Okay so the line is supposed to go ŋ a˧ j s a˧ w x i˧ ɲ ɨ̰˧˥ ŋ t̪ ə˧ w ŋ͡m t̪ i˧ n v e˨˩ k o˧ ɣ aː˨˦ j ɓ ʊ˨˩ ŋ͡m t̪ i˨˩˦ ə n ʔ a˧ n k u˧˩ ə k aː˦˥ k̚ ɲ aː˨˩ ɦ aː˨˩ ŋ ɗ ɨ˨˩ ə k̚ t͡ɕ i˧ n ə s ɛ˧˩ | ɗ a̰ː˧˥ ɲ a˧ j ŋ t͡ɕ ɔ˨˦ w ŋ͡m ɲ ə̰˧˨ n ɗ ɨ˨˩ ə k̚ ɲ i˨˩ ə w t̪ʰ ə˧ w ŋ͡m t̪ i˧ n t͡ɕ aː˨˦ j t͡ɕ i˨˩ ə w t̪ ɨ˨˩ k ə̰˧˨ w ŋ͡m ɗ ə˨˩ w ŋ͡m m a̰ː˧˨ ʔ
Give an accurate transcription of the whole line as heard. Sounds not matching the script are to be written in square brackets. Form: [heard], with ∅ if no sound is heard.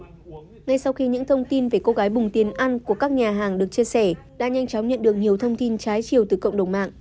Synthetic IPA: ŋ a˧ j s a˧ w x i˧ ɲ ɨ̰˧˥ ŋ [t̪ʰ] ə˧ w ŋ͡m t̪ i˧ n v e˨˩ k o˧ ɣ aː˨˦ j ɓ ʊ˨˩ ŋ͡m t̪ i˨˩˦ ə n ʔ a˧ n k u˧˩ ə k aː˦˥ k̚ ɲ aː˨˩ ɦ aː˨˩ ŋ ɗ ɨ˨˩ ə k̚ t͡ɕ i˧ [∅] ə s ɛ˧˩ | ɗ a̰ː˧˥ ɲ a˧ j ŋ t͡ɕ ɔ˨˦ w ŋ͡m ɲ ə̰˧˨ n ɗ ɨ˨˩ ə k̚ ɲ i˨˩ ə w t̪ʰ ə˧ w ŋ͡m t̪ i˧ n t͡ɕ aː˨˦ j t͡ɕ i˨˩ ə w t̪ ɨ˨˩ k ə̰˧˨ w ŋ͡m ɗ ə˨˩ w ŋ͡m m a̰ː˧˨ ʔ